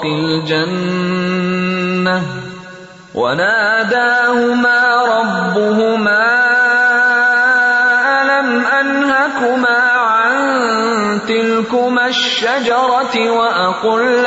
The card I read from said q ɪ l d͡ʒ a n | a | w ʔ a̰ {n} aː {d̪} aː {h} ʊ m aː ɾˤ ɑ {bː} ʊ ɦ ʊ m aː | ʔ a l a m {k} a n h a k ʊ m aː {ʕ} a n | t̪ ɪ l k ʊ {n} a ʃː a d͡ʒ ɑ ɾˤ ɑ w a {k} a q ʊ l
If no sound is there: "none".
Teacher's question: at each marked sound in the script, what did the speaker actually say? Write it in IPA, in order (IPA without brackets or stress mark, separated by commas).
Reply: n, d̪, h, bː, ʔ, ʕ, m, ʔ